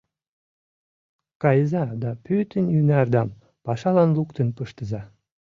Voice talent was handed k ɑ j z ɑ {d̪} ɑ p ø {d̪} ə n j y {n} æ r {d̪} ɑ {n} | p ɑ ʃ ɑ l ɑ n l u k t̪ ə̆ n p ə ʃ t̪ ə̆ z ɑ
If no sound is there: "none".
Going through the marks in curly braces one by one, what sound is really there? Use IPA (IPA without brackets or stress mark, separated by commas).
d̪, t̪, n, d̪, m